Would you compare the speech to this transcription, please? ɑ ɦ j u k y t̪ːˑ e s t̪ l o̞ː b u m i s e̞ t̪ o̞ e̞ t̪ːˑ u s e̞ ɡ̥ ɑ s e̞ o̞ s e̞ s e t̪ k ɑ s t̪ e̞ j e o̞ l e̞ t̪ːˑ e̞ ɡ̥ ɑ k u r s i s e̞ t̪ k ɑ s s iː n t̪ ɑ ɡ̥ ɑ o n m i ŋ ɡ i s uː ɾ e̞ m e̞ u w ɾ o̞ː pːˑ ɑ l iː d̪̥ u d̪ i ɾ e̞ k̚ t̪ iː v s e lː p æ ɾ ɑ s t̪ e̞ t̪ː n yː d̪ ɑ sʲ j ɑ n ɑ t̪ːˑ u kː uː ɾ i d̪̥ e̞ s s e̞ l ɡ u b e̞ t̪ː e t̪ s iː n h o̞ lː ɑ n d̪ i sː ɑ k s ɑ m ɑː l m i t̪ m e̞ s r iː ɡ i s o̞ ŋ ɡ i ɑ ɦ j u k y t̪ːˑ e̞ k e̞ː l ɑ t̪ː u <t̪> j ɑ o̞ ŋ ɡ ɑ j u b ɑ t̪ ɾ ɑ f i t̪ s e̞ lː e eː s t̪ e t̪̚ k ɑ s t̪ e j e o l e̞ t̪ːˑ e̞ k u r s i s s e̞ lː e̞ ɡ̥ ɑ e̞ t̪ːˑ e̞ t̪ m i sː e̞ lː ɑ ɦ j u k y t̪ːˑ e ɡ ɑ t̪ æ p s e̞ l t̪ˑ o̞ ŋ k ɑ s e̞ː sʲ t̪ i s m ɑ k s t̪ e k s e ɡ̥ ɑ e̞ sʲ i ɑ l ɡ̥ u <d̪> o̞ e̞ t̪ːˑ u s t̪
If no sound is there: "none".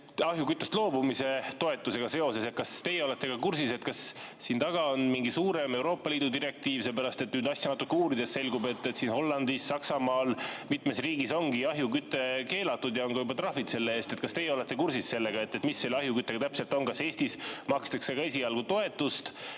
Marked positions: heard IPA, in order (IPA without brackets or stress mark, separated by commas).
d̪, t̪